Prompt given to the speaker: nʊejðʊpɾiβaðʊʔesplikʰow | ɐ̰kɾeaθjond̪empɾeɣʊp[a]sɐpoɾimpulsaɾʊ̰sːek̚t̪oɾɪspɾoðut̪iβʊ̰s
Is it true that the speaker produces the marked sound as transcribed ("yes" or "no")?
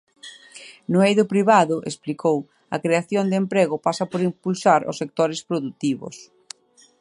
yes